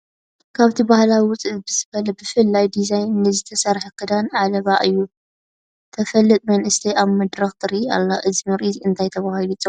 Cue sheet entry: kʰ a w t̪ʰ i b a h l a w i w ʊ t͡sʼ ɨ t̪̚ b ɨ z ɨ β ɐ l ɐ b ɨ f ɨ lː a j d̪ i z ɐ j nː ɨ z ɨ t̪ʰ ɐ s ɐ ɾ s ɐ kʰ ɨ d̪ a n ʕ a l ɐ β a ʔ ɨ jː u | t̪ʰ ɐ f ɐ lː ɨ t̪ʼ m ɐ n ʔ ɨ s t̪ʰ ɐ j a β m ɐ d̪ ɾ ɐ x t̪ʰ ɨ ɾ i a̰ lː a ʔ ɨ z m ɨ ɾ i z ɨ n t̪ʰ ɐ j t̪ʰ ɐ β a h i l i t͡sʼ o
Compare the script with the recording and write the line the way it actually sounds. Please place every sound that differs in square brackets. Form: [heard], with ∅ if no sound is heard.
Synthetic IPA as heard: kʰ a [β] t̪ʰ i b a h l a w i w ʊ t͡sʼ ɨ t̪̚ b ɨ z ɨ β ɐ l ɐ b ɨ f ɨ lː a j d̪ i z [a] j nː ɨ z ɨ t̪ʰ ɐ s ɐ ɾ [ħ] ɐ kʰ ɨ d̪ a n ʕ a l ɐ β a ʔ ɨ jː u | t̪ʰ ɐ f ɐ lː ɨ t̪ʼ m ɐ n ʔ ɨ s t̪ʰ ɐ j a β m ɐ d̪ ɾ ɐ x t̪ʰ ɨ ɾ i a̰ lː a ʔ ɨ z m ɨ ɾ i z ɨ n t̪ʰ [a] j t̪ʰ ɐ β a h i l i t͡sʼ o